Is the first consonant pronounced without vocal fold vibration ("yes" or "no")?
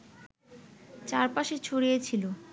yes